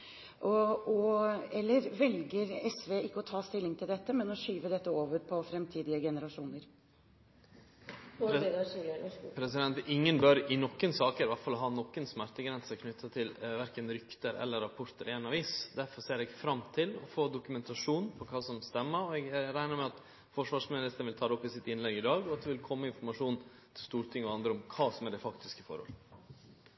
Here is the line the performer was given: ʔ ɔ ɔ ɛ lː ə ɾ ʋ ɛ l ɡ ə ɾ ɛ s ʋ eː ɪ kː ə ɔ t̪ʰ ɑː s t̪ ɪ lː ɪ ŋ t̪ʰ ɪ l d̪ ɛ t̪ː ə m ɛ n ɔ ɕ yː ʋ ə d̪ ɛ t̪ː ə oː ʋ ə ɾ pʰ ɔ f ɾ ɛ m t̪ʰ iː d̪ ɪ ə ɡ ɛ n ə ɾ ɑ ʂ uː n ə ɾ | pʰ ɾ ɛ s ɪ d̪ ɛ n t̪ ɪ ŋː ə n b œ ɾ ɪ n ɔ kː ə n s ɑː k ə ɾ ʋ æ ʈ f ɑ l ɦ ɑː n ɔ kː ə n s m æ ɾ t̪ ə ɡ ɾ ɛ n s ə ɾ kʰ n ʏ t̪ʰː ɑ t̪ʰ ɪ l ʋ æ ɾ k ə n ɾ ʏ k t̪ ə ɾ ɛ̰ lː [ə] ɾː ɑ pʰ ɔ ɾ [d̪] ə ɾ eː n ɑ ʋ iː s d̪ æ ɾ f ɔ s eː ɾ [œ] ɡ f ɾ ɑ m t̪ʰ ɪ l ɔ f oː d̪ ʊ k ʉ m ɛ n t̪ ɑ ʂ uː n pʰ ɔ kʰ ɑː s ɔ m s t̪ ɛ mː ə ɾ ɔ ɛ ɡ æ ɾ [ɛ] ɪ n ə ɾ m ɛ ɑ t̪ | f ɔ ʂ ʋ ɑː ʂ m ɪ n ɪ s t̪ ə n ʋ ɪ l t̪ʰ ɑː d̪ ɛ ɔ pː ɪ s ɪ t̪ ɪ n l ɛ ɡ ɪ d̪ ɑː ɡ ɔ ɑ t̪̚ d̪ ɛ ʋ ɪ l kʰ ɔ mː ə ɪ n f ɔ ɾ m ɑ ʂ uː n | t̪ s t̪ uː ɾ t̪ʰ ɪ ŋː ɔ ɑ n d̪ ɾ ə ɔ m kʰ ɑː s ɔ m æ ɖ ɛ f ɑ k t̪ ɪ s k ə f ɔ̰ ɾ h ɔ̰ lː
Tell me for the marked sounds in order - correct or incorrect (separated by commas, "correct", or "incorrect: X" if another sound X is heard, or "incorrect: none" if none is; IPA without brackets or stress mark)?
correct, incorrect: t̪, incorrect: ɛ, incorrect: æ